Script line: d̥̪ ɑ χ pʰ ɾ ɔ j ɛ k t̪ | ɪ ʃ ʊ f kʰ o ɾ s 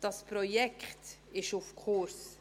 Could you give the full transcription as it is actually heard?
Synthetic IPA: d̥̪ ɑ s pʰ ɾ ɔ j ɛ k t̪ | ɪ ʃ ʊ f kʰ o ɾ s

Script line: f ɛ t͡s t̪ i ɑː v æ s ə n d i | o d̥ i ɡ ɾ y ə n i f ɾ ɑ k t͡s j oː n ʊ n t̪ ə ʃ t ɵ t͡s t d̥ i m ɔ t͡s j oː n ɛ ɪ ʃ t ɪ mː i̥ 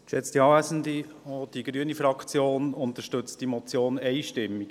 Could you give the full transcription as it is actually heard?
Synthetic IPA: ʃ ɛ t͡s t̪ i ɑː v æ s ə n d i | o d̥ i ɡ ɾ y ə n i f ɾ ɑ k t͡s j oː n ʊ n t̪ ə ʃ t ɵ t͡s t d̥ i m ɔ t͡s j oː n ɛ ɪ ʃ t ɪ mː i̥

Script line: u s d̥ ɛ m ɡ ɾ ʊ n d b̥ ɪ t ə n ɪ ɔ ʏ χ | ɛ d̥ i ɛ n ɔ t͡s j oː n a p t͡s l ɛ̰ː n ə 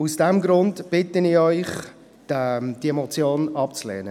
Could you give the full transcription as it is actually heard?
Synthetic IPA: u s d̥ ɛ m ɡ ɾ ʊ n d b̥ ɪ t ə n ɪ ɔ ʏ χ | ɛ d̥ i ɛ m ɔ t͡s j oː n ɑ p t͡s l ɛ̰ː n ə

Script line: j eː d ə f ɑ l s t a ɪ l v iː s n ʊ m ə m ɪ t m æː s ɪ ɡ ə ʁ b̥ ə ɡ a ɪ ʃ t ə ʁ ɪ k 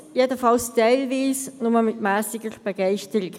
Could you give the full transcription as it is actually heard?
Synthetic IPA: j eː d ə f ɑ l s t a ɪ l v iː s n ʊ m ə m ɪ t m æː s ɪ ɡ ə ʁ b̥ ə ɡ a ɪ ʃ t ə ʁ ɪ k

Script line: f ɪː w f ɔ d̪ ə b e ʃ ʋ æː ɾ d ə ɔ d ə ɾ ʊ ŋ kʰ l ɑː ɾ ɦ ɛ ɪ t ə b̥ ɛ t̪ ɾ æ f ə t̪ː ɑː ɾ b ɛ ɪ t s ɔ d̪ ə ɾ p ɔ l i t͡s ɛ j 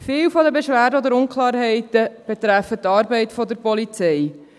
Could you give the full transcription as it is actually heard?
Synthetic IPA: f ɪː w f ɔ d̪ ə b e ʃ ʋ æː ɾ d ə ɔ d ə ɾ ʊ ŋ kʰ l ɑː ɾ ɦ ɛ ɪ t ə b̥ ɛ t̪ ɾ æ f ə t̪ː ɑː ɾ b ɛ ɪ t f ɔ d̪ ə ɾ p ɔ l i t͡s ɛ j

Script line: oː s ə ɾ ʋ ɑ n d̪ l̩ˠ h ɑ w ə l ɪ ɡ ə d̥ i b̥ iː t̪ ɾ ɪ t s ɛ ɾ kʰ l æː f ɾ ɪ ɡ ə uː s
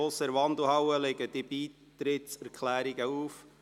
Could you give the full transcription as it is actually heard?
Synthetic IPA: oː s ə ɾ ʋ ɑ n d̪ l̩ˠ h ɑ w ə l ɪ ɡ ə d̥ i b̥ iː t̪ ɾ ɪ t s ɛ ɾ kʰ l æː ɾ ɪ ɡ ə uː f

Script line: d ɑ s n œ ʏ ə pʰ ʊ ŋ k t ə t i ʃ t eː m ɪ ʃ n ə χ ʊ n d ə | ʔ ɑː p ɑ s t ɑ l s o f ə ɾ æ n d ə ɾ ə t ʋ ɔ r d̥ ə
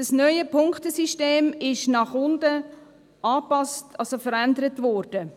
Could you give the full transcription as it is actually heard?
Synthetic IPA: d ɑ s n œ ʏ ə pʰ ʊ ŋ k t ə s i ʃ t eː m ɪ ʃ n ɑ χ ʊ n d ə | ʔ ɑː p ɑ s t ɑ l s o f ə ɾ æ n d ə ɾ ə t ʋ ɔ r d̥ ə

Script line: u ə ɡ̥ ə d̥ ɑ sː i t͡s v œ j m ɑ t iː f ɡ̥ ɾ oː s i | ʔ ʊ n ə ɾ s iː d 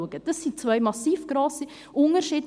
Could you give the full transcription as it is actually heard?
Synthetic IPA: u ə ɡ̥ ə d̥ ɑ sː i t͡s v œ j m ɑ s iː f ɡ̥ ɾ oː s i | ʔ ʊ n ə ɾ ʃ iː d

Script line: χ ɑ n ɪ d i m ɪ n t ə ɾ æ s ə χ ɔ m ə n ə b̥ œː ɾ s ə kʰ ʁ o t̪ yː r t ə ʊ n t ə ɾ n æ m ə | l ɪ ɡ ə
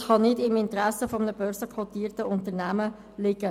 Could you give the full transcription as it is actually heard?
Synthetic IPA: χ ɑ n ɪ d ɪ m ɪ n t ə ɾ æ s ə f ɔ m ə n ə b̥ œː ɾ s ə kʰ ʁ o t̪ iː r t ə ʊ n t ə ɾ n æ m ə | l ɪ ɡ ə

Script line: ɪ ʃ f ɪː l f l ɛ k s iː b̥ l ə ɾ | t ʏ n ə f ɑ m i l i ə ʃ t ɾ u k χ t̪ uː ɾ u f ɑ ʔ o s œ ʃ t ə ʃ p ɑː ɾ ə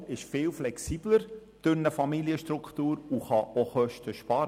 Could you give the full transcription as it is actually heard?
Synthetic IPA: ɪ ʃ f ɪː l f l ɛ k s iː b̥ l ə ɾ | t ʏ n ə f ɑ m i l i ə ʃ t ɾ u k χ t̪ uː ɾ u χ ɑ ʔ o χ œ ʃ t ə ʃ p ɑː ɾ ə

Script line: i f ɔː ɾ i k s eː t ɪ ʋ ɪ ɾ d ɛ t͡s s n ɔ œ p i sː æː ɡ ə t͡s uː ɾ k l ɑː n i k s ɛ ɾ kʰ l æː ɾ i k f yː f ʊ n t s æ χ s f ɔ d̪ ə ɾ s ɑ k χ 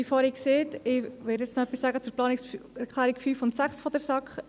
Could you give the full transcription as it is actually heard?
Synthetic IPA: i f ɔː ɾ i k s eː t ɪ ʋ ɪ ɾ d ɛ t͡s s n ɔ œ p i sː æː ɡ ə t͡s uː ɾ p l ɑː n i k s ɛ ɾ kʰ l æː ɾ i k f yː f ʊ n t s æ χ s f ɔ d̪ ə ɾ s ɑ k χ

